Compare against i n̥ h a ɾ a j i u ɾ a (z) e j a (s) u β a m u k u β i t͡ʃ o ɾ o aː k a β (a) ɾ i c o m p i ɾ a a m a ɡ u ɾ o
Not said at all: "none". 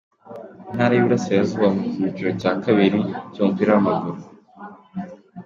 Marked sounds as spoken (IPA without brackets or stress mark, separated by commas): s, z, i